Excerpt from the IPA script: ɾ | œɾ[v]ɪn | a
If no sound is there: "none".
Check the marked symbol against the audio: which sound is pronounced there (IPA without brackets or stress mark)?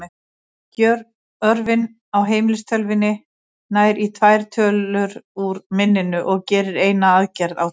v